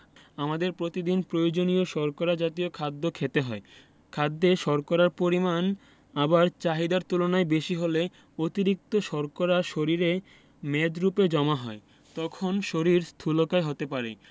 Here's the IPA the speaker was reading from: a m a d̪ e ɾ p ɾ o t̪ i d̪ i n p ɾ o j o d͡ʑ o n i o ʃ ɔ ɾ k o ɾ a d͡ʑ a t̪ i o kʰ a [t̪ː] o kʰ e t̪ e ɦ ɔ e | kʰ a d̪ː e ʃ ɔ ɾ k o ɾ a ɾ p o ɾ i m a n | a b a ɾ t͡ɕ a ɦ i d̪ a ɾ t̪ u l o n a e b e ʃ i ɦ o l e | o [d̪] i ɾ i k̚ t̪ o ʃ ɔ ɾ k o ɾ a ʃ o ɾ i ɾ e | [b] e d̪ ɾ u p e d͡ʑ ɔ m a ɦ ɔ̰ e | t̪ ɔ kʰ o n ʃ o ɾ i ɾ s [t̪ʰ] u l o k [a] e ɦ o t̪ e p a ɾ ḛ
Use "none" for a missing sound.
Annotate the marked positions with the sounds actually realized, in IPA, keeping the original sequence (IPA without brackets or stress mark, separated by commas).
d̪ː, t̪, m, t̪ʰ, a